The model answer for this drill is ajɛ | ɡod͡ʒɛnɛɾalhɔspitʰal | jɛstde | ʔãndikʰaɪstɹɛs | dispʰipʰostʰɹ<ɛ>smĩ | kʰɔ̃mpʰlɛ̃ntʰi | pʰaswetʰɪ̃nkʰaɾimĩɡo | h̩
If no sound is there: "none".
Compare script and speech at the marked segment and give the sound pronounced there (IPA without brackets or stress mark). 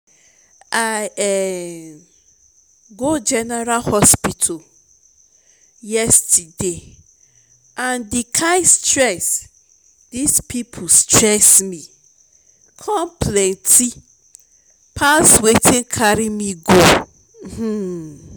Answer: ɛ